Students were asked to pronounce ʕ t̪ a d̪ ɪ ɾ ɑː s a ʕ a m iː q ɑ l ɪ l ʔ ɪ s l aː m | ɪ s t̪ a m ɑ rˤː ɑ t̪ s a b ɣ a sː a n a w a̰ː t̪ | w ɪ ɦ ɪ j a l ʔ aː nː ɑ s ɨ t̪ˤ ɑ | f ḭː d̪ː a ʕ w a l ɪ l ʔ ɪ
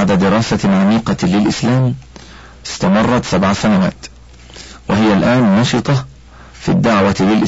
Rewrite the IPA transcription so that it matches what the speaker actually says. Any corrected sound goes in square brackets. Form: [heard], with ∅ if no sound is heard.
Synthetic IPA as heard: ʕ [d̪] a d̪ ɪ ɾ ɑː s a ʕ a m iː q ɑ l ɪ l ʔ ɪ s l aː m | ɪ s t̪ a m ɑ rˤː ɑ t̪ s a b [ʕ] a [s] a n a w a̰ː t̪ | w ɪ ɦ ɪ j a l ʔ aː nː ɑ [ʃ] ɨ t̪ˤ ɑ | f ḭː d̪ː a ʕ w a l ɪ l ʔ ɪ